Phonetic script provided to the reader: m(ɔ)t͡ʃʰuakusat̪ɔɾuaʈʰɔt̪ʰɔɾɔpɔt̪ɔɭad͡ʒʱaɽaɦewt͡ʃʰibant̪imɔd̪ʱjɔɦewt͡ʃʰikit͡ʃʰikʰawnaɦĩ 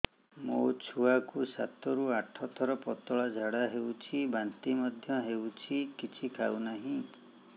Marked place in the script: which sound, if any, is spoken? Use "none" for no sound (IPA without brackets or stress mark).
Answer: o